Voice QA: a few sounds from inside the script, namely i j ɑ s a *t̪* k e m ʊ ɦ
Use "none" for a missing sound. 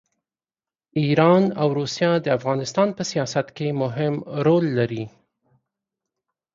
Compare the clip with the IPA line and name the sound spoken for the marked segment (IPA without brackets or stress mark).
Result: t̪